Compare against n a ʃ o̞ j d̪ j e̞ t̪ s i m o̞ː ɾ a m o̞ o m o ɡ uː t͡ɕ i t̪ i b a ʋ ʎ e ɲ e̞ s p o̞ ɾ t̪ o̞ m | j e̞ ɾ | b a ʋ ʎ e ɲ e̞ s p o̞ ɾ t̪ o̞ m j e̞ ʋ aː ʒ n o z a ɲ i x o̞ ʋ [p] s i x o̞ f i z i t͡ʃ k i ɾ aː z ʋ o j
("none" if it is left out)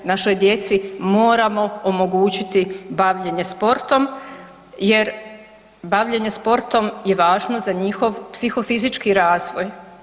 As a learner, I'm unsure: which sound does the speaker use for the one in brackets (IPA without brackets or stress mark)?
p